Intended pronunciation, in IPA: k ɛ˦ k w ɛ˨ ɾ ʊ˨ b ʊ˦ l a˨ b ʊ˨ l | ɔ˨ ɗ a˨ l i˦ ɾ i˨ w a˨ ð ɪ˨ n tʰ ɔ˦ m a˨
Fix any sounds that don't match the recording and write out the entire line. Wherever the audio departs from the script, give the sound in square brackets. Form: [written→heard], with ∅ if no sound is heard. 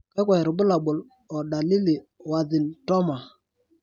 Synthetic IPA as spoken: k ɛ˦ k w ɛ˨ ɾ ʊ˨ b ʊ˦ l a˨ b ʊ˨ l | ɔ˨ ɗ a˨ l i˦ [ɾ→l] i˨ w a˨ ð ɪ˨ n [tʰ→t] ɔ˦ m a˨